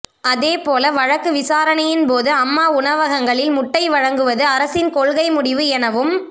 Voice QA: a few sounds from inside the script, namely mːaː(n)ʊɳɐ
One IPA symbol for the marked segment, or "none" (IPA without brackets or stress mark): none